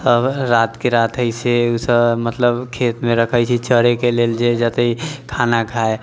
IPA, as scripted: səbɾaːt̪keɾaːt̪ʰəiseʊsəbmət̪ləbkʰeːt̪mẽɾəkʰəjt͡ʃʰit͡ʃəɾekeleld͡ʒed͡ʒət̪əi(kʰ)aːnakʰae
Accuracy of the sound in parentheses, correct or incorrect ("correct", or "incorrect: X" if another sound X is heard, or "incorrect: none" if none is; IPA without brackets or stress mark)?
correct